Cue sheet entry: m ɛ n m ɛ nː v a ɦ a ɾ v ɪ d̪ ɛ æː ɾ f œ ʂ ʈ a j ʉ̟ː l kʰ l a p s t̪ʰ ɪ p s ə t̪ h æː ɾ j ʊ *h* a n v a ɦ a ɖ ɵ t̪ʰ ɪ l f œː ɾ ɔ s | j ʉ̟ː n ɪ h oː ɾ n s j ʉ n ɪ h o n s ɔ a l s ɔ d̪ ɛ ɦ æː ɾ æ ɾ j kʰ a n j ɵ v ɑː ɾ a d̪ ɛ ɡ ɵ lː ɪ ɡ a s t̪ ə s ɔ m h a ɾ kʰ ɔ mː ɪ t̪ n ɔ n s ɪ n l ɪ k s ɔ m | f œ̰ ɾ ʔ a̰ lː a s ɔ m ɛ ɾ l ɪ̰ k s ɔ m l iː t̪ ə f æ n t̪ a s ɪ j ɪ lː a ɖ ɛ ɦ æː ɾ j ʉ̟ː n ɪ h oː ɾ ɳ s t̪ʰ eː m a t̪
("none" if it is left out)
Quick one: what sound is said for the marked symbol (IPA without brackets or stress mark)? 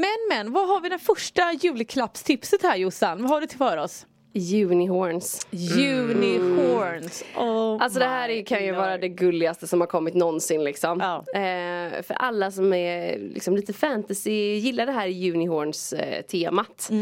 s